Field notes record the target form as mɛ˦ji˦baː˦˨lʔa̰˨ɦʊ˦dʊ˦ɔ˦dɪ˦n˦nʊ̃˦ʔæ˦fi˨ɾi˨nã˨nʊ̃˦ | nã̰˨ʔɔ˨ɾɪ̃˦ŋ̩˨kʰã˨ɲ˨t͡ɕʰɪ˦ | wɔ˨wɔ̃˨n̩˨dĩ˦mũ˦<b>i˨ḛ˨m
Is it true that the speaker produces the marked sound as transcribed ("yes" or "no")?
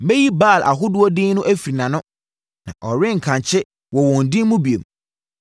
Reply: yes